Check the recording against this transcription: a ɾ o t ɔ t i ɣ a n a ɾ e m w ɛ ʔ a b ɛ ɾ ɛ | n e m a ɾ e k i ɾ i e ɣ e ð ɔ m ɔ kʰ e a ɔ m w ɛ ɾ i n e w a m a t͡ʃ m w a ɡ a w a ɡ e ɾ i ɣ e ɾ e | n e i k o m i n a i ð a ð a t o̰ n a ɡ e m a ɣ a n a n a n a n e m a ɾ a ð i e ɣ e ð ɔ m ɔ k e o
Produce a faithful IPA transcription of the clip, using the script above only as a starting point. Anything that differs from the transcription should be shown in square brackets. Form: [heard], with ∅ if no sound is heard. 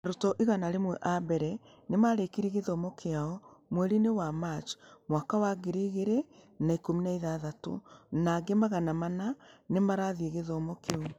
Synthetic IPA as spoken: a ɾ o t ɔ [ʔ] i ɣ a n a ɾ e m w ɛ ʔ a b ɛ ɾ ɛ | n e m a ɾ e k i ɾ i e ɣ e ð ɔ m ɔ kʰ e a ɔ m w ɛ ɾ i n e w a m a t͡ʃ m w a [k] a w a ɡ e ɾ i ɣ e ɾ e | n [a] i k o m i n a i ð a ð a t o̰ n a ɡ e m a ɣ a n a [m] a n a n e m a ɾ a ð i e ɣ e ð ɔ m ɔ k e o